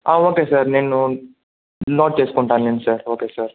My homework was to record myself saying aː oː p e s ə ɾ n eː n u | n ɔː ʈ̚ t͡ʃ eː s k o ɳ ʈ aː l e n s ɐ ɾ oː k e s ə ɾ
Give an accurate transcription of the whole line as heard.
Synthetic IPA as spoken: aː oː k e s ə ɾ n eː n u | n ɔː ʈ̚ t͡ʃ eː s k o ɳ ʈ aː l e n s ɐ ɾ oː k e s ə ɾ